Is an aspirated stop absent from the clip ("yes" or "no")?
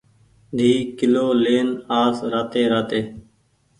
yes